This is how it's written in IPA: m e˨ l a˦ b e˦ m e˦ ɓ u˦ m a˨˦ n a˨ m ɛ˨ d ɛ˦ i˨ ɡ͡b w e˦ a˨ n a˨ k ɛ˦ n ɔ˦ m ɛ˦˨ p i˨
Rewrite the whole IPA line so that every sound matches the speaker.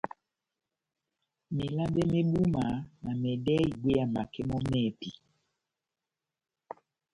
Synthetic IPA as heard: m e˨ l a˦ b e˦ m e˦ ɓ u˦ m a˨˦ n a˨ m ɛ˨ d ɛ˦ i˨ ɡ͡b w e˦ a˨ m a˨ k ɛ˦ m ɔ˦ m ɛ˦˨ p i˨